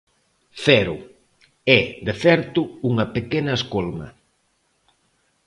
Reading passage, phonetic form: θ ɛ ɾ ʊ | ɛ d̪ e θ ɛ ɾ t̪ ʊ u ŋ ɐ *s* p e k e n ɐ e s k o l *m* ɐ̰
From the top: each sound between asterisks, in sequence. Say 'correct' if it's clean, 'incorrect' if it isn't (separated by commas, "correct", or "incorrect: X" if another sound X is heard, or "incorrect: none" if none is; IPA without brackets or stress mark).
incorrect: none, correct